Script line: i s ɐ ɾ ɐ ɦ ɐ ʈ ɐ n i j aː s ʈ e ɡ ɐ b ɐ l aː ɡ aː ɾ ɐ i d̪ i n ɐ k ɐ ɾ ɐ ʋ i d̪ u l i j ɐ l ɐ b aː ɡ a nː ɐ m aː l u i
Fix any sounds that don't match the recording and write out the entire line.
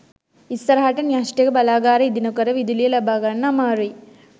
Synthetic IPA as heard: i s ɐ ɾ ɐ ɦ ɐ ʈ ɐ n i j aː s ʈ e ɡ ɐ b ɐ l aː ɡ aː ɾ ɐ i d̪ i n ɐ k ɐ ɾ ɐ ʋ i d̪ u l i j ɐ l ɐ b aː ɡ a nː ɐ m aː ɾ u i